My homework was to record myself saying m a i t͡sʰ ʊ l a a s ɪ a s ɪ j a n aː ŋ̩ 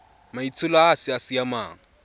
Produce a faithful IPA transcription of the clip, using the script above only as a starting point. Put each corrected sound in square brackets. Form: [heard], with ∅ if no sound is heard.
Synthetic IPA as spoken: m a i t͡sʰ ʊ l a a s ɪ a s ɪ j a [m] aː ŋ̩